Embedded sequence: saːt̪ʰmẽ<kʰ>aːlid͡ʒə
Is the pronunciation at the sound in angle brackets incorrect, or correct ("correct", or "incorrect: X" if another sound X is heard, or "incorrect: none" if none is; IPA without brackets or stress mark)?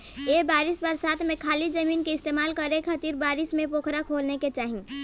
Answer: correct